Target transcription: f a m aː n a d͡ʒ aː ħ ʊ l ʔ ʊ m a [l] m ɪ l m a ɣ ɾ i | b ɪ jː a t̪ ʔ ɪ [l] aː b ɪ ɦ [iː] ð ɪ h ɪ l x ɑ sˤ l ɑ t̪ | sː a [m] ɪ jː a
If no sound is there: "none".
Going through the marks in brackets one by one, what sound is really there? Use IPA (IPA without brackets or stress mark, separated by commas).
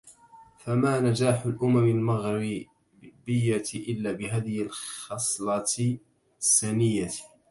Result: none, lː, aː, n